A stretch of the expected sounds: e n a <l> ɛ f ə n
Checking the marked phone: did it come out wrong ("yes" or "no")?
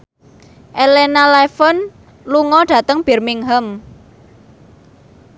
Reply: no